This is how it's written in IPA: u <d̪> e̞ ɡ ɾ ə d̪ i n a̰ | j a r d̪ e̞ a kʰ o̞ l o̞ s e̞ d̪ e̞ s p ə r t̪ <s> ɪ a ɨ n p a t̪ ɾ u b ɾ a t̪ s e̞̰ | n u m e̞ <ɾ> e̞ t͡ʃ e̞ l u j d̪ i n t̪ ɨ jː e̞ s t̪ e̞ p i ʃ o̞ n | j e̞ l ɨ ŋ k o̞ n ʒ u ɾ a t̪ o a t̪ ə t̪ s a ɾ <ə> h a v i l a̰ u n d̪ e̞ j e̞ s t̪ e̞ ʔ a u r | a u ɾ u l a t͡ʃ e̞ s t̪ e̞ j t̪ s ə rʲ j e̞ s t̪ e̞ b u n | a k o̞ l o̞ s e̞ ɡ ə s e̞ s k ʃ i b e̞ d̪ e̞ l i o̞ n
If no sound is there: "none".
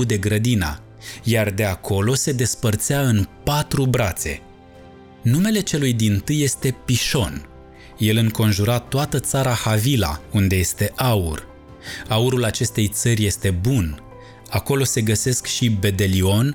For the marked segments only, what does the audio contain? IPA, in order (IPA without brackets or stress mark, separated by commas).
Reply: d̪, s, l, a